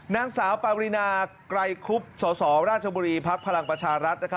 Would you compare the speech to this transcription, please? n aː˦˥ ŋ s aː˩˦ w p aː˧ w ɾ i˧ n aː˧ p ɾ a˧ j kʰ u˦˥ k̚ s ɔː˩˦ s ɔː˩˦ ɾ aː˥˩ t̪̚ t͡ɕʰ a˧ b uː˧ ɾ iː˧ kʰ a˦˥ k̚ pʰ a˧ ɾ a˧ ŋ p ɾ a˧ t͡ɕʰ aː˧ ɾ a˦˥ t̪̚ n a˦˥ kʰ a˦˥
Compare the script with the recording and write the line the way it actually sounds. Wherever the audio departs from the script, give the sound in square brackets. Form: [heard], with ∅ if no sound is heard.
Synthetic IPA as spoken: n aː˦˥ ŋ s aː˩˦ w p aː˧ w ɾ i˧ n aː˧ [k] ɾ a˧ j kʰ u˦˥ [p̚] s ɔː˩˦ s ɔː˩˦ ɾ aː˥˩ t̪̚ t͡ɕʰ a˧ b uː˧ ɾ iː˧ [pʰ] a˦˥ k̚ pʰ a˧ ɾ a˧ ŋ p ɾ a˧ t͡ɕʰ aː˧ ɾ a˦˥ t̪̚ n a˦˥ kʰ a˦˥